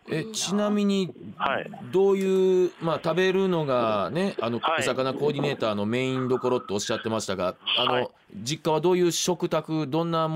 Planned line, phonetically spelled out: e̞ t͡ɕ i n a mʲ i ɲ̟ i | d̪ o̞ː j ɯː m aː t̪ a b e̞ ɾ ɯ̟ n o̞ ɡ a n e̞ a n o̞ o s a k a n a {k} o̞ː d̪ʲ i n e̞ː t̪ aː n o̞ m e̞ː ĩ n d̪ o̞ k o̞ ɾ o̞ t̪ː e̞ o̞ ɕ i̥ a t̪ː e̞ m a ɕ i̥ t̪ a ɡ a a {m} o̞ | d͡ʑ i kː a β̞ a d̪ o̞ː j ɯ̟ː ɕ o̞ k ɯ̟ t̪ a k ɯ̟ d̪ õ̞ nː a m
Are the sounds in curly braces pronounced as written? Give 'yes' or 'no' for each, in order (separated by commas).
yes, no